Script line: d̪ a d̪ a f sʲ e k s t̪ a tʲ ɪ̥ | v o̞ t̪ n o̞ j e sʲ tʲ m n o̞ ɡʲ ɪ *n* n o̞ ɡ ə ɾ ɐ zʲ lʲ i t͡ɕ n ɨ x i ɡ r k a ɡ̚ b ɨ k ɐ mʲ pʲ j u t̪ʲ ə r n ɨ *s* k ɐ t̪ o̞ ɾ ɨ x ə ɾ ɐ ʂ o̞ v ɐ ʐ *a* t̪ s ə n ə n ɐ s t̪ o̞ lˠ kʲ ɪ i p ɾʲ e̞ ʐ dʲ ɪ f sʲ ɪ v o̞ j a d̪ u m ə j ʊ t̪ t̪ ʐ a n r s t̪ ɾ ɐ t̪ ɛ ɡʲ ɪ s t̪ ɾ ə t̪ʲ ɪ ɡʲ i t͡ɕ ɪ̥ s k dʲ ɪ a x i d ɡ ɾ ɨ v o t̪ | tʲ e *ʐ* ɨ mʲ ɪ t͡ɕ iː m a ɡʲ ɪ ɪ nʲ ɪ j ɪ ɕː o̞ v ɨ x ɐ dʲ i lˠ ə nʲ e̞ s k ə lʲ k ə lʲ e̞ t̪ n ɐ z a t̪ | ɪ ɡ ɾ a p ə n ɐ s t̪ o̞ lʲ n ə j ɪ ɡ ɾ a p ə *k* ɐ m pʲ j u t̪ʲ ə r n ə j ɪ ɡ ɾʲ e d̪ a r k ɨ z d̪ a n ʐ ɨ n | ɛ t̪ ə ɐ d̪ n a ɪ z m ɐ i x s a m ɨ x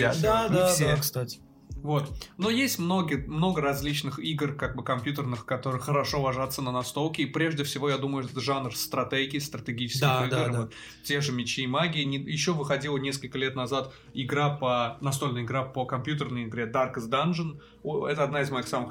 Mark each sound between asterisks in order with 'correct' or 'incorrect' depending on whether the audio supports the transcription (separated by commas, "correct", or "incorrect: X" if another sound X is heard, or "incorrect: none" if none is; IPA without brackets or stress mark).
incorrect: m, incorrect: x, correct, correct, correct